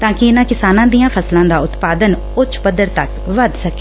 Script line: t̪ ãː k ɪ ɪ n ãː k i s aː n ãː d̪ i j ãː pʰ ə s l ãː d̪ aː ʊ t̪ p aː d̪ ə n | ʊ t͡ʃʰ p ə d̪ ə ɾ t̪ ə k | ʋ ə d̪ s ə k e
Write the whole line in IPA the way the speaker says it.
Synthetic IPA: t̪ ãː k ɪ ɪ n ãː k ɪ s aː n ãː d̪ i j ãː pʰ ə s l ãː d̪ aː ʊ t̪ p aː d̪ ə n | ʊ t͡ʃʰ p ə d̪ ə ɾ t̪ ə k | ʋ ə d̪ s ə k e